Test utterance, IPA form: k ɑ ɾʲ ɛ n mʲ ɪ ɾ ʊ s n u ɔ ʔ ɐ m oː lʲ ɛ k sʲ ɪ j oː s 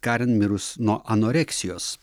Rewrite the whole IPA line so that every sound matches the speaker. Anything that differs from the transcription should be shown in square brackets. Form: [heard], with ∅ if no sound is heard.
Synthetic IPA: k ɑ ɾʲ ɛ n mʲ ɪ ɾ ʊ s n u ɔ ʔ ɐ [n] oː [ɾʲ] ɛ k sʲ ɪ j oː s